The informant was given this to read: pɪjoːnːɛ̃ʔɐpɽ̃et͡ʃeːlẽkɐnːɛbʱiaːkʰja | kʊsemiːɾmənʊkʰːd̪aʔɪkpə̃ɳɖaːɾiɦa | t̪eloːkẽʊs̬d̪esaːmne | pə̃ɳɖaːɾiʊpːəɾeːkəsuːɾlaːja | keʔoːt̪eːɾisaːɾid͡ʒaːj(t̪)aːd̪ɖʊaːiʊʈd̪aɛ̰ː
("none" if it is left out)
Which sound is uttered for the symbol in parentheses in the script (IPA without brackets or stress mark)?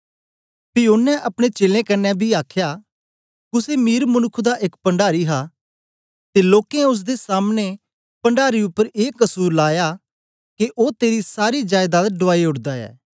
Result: d̪